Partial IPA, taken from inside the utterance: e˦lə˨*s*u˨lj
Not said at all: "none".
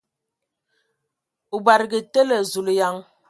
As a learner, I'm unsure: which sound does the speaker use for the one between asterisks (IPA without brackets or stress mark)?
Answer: z